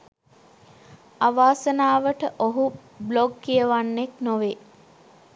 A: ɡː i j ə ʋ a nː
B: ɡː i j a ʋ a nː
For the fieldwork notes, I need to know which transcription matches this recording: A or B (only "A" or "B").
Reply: A